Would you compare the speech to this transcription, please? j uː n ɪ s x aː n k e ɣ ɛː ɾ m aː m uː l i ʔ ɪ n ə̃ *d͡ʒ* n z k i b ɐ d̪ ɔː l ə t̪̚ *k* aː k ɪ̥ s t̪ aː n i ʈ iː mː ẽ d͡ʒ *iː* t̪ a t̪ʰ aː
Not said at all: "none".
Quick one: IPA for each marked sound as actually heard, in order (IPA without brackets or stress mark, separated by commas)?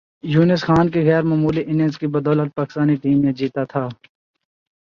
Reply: none, p, iː